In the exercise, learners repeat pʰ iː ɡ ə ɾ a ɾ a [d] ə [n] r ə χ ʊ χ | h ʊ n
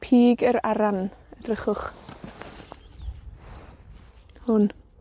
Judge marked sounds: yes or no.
no, no

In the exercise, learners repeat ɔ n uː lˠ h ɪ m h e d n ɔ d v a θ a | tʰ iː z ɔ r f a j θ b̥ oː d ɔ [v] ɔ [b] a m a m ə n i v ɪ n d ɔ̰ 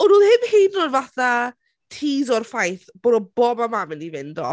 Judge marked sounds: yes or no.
no, yes

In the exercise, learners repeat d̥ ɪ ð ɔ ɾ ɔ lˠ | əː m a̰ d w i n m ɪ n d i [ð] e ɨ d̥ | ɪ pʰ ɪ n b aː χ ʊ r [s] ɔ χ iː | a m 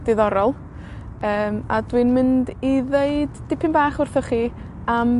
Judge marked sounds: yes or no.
yes, no

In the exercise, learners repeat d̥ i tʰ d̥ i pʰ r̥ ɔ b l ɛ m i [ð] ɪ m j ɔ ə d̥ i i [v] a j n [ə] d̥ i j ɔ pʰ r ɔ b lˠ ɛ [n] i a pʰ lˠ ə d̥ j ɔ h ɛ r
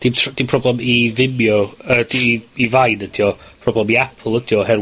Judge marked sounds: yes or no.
no, yes, yes, no

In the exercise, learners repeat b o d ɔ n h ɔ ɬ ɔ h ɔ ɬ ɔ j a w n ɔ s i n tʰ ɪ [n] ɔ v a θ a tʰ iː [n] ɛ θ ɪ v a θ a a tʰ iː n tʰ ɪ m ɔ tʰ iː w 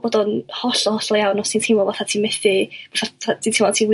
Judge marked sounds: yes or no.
no, no

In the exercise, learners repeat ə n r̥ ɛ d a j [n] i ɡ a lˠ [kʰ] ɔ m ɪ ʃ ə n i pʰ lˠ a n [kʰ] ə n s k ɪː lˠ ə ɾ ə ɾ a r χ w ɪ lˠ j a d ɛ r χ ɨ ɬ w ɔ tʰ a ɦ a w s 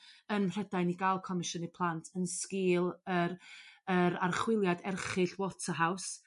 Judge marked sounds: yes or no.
yes, yes, no

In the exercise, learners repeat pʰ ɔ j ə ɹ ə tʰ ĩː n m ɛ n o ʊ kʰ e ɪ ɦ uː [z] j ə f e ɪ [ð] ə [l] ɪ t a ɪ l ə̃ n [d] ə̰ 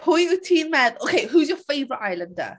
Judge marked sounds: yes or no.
yes, no, no, yes

